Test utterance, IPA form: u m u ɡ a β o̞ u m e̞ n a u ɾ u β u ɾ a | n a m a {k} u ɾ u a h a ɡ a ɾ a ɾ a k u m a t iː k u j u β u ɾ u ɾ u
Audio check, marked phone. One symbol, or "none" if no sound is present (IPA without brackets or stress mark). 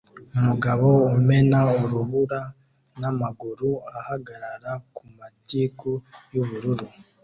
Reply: ɡ